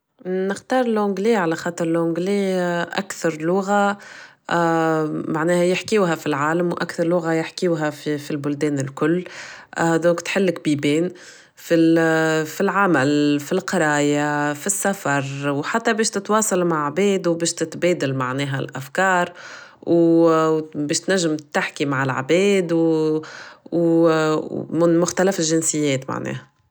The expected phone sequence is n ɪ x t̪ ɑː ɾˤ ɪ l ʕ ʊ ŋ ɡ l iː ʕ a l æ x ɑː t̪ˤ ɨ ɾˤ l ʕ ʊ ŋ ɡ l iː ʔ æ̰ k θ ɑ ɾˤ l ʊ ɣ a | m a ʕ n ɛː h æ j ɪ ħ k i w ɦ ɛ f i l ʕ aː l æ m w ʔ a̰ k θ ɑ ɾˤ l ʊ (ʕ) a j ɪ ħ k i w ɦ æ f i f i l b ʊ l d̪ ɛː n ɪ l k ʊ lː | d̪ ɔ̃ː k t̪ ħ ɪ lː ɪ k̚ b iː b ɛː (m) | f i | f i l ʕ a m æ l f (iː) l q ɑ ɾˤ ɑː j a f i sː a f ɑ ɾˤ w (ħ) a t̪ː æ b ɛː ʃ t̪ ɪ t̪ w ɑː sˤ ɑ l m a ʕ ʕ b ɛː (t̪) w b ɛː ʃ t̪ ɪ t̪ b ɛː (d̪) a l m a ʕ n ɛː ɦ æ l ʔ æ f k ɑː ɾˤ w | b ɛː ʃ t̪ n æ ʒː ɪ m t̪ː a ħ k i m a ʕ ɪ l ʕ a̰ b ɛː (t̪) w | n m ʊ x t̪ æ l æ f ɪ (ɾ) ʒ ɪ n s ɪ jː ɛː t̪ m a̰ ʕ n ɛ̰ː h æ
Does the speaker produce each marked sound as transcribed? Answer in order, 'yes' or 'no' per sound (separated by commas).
no, no, no, yes, no, yes, no, no